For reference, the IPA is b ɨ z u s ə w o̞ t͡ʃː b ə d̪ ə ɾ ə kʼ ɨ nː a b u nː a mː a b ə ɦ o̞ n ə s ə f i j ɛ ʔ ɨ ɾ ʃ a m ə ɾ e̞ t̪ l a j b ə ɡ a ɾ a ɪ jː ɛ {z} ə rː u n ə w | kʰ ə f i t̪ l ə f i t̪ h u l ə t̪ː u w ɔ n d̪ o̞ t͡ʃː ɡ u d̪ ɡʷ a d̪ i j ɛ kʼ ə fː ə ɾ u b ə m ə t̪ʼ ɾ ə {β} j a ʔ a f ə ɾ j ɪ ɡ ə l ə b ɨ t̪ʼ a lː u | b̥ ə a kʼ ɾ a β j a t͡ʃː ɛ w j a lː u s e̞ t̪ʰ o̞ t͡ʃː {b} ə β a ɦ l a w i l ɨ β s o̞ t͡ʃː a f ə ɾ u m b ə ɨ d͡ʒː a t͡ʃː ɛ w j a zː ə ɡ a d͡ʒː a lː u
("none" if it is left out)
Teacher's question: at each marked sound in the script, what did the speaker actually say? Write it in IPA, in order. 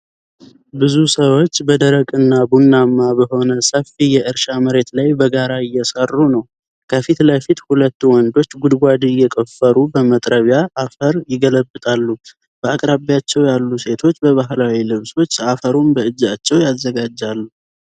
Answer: s, β, b

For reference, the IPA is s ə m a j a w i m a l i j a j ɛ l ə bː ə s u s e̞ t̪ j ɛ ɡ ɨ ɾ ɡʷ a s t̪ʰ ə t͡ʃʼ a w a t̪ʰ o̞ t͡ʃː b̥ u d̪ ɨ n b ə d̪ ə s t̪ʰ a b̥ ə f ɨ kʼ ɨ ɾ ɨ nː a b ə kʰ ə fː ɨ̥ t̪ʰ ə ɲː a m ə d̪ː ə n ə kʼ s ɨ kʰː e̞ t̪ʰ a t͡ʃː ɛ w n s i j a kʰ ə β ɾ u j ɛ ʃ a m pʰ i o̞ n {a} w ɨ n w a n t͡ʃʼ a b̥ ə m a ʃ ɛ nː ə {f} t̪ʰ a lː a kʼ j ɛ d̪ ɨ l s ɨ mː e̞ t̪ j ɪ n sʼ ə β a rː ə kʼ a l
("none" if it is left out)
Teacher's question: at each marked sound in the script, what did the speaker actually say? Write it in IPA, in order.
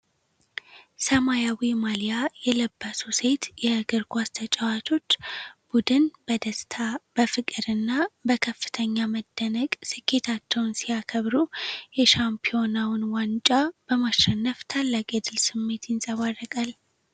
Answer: a, f

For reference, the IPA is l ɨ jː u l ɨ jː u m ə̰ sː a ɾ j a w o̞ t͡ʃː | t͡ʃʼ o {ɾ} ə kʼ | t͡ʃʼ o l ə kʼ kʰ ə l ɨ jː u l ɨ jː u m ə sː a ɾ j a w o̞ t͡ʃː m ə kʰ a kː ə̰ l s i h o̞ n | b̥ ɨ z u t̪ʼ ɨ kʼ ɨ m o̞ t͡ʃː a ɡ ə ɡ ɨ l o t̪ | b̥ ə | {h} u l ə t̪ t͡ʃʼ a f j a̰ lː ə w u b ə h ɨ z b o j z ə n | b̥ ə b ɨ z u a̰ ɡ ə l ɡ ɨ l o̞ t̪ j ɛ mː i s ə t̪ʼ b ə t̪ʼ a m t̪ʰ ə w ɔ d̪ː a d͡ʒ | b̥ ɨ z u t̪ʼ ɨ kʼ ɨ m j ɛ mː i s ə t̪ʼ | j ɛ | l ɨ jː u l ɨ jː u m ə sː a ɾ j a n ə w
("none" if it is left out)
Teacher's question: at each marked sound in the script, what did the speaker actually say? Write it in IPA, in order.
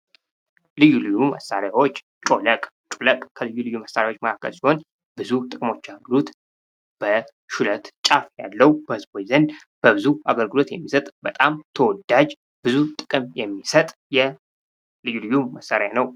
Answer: l, ʃ

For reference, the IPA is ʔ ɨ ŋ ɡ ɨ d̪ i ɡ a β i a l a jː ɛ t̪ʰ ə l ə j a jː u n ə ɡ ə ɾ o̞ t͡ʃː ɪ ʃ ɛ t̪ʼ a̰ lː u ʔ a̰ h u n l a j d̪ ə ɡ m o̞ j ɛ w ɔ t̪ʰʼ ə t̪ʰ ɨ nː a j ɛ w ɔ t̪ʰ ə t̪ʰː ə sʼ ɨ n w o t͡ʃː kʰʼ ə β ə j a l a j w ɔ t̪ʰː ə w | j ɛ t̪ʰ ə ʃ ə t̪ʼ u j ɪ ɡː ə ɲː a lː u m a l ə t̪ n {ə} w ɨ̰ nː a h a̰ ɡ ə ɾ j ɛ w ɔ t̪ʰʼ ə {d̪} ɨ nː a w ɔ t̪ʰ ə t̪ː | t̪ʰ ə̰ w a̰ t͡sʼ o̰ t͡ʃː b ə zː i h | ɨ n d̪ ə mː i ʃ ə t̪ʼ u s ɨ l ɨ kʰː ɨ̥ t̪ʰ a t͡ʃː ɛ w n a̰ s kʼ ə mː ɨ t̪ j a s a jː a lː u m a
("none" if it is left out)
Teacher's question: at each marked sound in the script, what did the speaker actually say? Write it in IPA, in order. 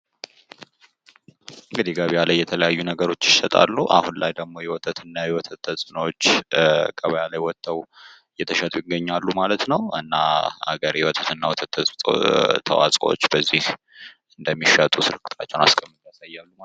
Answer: ə, t̪

